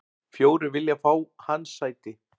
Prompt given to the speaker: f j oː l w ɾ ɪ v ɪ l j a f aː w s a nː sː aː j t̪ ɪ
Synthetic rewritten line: f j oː w ɾ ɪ v ɪ l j a f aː w h a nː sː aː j t̪ ɪ